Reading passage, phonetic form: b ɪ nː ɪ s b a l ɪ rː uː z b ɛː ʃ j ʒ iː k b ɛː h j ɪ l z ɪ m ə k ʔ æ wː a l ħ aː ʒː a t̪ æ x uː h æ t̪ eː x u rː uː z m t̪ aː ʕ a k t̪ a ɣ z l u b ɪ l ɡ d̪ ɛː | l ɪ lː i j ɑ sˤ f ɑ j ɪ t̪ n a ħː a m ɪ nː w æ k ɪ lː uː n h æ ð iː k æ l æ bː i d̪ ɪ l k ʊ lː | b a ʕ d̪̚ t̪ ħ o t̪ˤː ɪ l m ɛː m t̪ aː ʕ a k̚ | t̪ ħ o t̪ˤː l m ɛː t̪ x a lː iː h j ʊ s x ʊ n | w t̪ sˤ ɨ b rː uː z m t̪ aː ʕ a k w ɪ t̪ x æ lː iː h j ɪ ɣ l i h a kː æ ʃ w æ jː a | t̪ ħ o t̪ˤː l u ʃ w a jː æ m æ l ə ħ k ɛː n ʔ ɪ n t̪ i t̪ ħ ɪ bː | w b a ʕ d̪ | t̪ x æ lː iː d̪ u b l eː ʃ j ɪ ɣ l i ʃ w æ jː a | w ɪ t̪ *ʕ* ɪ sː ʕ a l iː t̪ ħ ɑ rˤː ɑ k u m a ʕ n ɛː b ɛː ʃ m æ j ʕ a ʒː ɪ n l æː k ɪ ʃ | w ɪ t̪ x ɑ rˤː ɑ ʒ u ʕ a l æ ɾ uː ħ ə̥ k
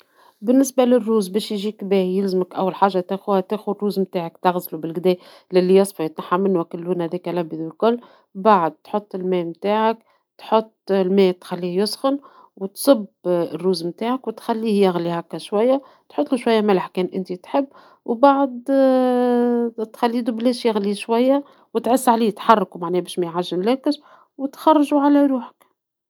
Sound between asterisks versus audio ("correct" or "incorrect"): correct